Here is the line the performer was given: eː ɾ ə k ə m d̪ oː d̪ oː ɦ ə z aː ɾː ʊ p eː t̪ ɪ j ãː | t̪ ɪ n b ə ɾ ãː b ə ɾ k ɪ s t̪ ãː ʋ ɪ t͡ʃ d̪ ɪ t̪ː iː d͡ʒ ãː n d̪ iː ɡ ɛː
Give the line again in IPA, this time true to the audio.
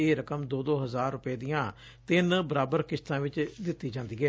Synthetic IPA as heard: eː ɾ ə k ə m d̪ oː d̪ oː ɦ ə z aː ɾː ʊ p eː d̪ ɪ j ãː | t̪ ɪ n b ə ɾ aː b ə ɾ k ɪ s t̪ ãː ʋ ɪ t͡ʃ d̪ ɪ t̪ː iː d͡ʒ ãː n d̪ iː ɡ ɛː